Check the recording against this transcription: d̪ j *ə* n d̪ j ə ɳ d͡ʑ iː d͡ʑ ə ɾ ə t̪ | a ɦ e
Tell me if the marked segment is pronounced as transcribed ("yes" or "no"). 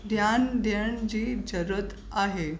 no